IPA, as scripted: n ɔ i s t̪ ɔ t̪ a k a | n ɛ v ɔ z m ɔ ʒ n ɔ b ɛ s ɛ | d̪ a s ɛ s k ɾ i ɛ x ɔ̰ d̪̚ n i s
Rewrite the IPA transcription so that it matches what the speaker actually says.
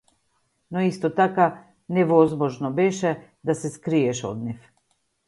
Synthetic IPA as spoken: n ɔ i s t̪ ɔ t̪ a k a | n ɛ v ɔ z m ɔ ʒ n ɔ b ɛ ʃ ɛ | d̪ a s ɛ s k ɾ i ɛ ʃ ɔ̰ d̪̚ n i f